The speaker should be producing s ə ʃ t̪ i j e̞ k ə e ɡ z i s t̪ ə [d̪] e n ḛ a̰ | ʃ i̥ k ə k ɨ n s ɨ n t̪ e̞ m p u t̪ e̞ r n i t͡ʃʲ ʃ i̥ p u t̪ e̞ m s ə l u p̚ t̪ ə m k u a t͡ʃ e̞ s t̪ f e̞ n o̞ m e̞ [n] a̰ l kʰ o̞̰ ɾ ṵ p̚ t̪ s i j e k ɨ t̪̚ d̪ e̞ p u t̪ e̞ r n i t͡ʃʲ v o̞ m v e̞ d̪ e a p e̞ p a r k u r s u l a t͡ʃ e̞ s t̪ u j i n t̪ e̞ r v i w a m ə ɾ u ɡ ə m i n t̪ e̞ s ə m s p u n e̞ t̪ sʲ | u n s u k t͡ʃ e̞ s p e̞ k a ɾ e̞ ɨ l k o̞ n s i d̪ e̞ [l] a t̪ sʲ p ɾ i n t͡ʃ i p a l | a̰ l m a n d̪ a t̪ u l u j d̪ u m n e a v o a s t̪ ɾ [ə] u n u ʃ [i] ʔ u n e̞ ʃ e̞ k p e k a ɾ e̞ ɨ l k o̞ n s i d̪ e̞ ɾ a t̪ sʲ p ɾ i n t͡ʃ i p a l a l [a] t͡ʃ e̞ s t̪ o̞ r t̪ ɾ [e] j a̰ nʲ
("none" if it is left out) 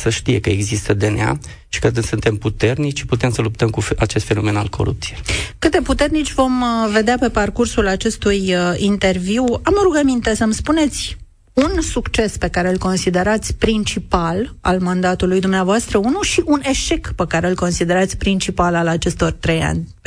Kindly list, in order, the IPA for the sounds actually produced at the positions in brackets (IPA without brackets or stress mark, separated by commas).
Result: d̪, n, ɾ, ə, i, a, e